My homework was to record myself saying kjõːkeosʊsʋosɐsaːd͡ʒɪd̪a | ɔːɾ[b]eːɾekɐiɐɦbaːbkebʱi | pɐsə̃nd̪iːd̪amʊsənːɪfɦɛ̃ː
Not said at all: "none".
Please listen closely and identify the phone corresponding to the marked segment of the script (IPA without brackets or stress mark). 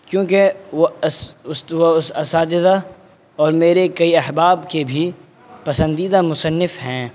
m